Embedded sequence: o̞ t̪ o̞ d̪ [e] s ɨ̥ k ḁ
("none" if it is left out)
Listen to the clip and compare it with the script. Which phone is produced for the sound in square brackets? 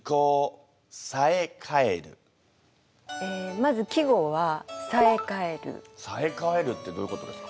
e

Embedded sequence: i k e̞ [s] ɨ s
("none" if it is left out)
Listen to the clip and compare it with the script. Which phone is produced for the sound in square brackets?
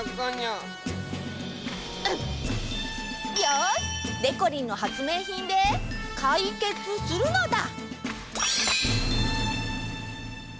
t͡s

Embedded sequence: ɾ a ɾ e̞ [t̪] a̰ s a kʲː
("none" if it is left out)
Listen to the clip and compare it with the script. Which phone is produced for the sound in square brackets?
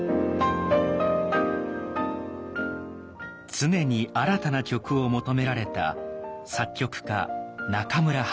t̪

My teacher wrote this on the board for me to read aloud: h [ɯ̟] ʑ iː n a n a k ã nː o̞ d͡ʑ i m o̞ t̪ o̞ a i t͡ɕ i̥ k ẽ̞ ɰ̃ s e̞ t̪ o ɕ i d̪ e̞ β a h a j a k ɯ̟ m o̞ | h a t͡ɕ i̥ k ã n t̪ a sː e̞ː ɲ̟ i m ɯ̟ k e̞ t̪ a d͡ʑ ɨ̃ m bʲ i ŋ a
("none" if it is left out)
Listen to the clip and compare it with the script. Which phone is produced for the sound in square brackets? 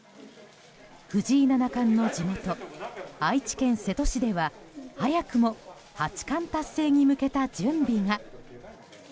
ɯ̟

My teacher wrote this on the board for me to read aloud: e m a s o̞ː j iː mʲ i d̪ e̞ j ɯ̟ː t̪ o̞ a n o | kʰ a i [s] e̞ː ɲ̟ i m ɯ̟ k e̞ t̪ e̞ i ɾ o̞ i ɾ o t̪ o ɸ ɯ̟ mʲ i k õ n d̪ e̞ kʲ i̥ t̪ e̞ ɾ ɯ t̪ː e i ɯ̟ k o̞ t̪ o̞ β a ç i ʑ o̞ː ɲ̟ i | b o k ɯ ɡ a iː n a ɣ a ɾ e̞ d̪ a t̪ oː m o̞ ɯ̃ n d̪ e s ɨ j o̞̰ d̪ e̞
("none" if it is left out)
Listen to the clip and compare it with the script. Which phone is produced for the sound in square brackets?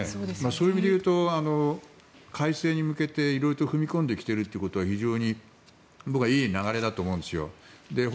s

